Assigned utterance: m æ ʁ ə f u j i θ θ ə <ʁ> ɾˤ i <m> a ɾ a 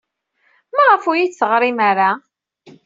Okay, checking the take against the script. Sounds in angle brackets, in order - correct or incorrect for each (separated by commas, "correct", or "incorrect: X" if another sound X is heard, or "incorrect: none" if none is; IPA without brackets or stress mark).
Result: correct, correct